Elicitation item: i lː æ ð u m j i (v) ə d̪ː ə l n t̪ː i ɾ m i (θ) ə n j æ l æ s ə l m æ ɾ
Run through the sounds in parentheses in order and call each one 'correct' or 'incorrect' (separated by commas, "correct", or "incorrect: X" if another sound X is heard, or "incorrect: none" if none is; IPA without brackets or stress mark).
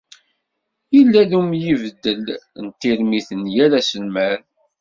correct, correct